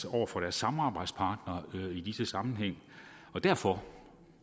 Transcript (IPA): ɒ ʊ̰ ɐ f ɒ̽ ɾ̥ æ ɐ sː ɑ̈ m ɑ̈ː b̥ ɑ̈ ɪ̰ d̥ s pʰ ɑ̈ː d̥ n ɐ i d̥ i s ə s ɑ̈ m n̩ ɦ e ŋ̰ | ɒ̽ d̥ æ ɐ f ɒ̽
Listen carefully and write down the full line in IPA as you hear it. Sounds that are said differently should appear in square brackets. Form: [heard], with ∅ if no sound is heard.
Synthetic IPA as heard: ɒ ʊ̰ ɐ f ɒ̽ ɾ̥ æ ɐ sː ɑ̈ m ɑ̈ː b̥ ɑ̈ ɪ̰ d̥ s pʰ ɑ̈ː d̥ n ɐ i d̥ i s ə s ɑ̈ m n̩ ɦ e ŋ̰ | ɒ̽ d̥ æ ɐ f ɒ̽